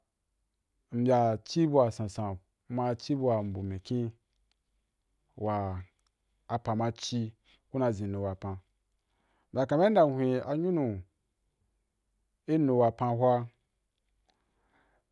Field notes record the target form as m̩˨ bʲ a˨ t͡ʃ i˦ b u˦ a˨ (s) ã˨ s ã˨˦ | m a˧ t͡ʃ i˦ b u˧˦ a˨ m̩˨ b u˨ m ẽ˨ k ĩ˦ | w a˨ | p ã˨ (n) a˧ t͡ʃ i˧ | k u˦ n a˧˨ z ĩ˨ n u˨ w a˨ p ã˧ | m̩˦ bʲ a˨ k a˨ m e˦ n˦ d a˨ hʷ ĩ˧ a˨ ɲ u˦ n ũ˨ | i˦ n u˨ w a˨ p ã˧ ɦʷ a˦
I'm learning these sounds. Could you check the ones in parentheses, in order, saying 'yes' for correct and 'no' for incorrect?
yes, no

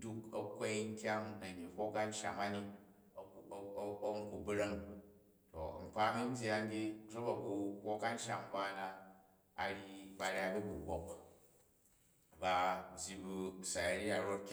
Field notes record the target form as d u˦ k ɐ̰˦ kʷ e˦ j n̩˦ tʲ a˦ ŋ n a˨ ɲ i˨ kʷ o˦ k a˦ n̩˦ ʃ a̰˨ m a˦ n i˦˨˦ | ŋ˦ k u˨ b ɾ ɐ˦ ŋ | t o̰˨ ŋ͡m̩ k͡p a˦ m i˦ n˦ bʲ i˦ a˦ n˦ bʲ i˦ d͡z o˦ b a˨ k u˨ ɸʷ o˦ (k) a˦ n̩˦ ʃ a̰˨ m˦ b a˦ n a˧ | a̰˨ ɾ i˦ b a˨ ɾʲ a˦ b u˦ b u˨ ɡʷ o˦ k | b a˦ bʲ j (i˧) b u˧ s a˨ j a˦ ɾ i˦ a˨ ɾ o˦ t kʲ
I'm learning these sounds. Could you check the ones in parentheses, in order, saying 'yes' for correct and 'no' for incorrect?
yes, yes

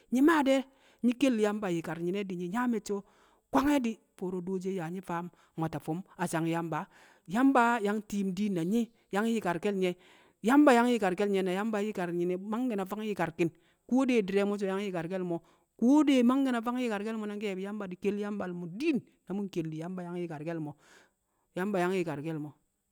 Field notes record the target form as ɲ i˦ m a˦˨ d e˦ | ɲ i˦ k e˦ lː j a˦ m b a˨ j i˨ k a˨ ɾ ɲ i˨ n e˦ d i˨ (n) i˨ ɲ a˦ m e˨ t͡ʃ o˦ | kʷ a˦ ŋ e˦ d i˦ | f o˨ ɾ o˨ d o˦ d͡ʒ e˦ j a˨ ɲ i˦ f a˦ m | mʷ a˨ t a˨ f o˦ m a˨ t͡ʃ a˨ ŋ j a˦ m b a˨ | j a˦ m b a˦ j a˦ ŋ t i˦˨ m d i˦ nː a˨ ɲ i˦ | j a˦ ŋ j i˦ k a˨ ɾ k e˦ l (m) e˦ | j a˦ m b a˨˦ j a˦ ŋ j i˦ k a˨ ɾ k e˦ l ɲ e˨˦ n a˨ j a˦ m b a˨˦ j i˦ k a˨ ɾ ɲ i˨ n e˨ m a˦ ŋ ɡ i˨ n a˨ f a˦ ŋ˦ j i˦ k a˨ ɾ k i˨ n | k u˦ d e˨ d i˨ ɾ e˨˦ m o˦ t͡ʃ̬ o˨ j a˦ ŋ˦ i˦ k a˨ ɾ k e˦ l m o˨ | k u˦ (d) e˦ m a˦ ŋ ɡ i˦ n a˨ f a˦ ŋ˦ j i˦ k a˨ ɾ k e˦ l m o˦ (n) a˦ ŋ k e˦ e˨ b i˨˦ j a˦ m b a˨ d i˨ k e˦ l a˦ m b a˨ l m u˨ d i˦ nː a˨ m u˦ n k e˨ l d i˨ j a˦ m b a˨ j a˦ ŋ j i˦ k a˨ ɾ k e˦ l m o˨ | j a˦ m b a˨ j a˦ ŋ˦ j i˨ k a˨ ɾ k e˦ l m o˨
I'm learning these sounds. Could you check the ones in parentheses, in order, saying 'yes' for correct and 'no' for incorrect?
no, no, yes, yes

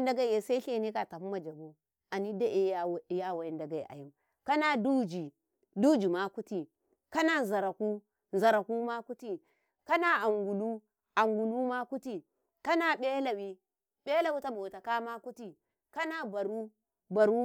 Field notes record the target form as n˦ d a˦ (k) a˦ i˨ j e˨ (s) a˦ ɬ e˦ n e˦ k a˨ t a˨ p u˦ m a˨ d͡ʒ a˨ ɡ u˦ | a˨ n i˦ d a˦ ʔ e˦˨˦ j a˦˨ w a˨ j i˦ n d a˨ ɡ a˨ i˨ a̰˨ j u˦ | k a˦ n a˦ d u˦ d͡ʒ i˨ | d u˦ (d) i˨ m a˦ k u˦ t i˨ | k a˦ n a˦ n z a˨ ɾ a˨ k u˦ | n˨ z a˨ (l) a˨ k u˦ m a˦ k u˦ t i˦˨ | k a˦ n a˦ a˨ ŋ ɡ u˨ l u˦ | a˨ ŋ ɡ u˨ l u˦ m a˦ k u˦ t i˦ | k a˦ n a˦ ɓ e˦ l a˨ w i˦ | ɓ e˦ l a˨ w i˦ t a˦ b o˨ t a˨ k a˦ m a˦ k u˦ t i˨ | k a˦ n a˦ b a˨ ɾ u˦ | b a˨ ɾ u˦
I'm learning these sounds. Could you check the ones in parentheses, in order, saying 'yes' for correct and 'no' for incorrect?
no, yes, no, no

